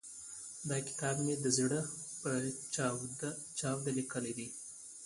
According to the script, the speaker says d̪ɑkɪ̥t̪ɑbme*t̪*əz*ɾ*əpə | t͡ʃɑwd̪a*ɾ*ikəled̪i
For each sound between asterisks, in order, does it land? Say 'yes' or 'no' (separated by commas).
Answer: no, no, no